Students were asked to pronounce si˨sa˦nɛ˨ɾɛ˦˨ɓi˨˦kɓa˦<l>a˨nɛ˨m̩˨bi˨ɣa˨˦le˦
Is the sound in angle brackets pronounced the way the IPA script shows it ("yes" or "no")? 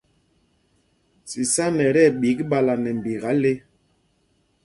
yes